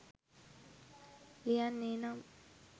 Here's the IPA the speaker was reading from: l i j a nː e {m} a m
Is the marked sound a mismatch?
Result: yes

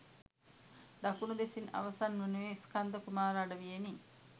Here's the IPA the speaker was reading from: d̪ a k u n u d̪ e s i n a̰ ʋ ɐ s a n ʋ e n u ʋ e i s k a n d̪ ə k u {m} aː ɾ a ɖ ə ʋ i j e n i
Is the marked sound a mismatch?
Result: no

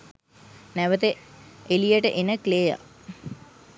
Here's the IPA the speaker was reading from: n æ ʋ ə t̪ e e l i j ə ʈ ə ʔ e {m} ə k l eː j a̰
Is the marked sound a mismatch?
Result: yes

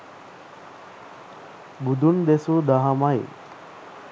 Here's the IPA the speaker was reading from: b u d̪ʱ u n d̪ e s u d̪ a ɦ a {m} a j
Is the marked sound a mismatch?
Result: no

